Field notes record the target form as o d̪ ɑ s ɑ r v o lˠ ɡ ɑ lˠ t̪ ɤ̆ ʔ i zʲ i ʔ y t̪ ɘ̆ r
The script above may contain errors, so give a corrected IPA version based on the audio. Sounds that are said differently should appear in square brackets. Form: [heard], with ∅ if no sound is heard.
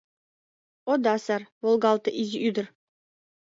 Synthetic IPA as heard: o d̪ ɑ s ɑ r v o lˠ ɡ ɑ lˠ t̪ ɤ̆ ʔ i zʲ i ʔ y [d̪] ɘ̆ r